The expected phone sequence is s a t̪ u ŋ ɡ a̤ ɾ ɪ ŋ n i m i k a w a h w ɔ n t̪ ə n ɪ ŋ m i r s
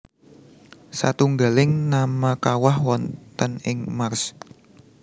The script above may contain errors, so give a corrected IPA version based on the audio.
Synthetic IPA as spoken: s a t̪ u ŋ ɡ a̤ l ɪ ŋ n a m a k a w a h w ɔ n t̪ ə n ɪ ŋ m a r s